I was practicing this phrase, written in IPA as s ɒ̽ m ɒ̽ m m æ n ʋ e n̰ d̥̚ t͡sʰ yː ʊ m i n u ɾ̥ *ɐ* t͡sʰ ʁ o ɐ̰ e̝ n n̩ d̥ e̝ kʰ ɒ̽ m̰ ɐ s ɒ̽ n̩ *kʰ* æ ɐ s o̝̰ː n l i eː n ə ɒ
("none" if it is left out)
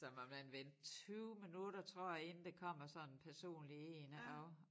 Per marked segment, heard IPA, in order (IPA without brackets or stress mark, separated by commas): ɐ, pʰ